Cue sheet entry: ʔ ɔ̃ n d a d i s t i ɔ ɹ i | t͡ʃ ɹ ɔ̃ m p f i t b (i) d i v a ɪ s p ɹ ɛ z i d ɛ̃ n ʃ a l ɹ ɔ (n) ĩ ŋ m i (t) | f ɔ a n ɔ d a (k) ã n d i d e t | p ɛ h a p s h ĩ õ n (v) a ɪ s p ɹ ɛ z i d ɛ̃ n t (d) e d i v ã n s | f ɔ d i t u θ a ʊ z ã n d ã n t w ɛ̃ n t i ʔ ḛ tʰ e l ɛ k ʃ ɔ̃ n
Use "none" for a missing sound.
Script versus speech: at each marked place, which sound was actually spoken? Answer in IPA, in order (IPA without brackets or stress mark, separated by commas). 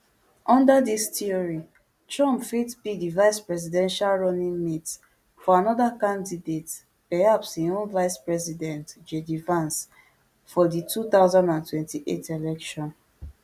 i, n, t, k, v, d͡ʒ